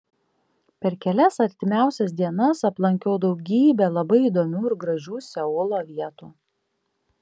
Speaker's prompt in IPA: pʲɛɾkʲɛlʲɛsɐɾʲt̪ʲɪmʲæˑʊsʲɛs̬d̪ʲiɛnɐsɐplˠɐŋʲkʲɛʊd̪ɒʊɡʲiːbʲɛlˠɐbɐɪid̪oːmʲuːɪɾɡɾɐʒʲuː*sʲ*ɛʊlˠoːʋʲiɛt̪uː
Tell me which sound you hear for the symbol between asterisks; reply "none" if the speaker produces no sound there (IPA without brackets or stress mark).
sʲ